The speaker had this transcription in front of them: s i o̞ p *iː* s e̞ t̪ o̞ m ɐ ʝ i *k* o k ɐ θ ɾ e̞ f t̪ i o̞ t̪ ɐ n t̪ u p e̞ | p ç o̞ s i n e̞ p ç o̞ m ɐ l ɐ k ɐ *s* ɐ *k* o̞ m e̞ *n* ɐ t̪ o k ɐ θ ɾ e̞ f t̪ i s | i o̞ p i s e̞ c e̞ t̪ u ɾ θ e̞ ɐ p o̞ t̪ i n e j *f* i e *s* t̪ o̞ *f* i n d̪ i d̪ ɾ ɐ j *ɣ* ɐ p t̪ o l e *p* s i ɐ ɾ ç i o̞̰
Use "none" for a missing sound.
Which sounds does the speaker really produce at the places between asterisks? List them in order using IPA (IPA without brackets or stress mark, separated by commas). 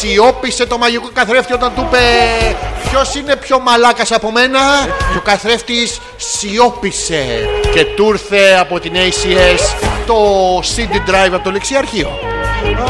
i, k, s, p, n, s, s, s, v, k